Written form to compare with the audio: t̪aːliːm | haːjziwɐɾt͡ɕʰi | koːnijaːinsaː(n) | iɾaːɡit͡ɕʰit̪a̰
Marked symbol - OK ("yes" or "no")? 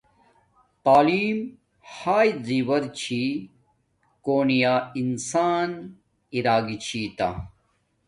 yes